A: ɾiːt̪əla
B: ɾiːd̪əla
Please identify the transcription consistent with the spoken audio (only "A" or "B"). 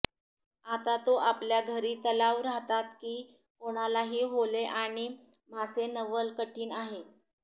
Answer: A